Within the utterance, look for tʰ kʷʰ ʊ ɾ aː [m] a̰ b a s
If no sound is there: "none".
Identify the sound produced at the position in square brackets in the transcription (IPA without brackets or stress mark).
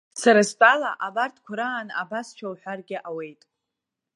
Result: n